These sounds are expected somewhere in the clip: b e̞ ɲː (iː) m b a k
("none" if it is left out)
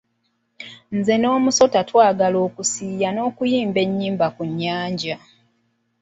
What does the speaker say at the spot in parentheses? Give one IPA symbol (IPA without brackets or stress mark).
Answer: iː